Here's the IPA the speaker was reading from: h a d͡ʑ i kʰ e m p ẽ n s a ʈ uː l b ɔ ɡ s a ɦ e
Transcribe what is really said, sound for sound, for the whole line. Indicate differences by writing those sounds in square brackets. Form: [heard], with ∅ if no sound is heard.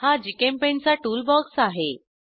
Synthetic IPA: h a d͡ʑ i [k] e m p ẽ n [t͡s] a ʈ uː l b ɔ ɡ s a ɦ e